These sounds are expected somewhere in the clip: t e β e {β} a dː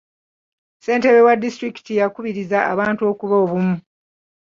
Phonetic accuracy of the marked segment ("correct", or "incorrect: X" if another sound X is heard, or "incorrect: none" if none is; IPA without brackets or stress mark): incorrect: w